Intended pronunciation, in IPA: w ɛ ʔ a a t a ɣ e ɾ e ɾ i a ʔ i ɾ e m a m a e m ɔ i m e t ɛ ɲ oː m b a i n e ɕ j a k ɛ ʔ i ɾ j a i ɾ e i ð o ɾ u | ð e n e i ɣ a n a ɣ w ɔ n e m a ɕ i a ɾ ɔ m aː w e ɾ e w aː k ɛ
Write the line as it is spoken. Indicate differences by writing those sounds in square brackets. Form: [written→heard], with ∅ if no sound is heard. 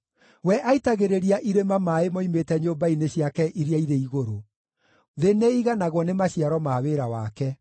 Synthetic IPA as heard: w ɛ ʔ a [a→i] t a ɣ e ɾ e ɾ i a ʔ i ɾ e m a m a e m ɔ i m e t ɛ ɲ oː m b a i n e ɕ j a k ɛ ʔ i ɾ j a i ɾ e i [ð→ɣ] o ɾ [u→o] | ð e n e i ɣ a n a ɣ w ɔ n e m a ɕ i a ɾ ɔ m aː w e ɾ [e→a] w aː k ɛ